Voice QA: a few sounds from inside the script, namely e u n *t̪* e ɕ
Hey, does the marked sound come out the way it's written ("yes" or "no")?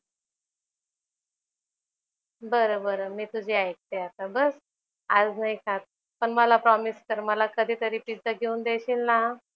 no